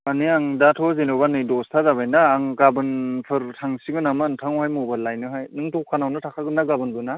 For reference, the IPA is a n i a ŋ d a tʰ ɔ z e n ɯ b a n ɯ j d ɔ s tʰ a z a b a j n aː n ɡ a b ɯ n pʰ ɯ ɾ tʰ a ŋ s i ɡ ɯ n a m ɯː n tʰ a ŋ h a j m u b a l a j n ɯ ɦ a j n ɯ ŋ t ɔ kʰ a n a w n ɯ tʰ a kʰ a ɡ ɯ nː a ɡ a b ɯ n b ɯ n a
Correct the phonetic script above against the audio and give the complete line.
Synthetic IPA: a n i a ŋ d a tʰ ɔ z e n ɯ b a n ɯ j d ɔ s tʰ a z a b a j n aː ŋ ɡ a b ɯ n pʰ ɯ ɾ tʰ a ŋ s i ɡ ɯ n a m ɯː n tʰ a ŋ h a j m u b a l a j n ɯ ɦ a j n ɯ ŋ t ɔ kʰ a n a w n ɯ tʰ a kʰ a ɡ ɯ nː a ɡ a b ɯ n b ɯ n a